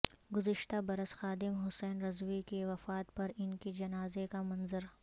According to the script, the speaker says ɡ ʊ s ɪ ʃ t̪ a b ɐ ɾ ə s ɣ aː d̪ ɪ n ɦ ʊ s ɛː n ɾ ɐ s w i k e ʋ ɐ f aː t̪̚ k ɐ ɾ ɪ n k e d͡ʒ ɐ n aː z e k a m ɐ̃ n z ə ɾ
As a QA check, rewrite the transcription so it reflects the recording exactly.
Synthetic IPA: ɡ ʊ z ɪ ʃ t̪ a b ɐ ɾ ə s x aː d̪ ɪ m ɦ ʊ s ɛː n ɾ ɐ z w i k e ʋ ɐ f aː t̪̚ p ɐ ɾ ɪ n k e d͡ʒ ɐ n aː z e k a m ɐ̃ n z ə ɾ